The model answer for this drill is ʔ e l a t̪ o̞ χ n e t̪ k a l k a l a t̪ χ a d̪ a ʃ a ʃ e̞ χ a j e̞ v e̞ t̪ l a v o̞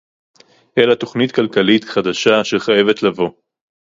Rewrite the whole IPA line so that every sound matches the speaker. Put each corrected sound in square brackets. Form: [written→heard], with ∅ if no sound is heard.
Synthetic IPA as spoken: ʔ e l a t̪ o̞ χ n [e→i] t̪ k a l k a l [a→i] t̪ χ a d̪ a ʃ a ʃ e̞ χ a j e̞ v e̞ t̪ l a v o̞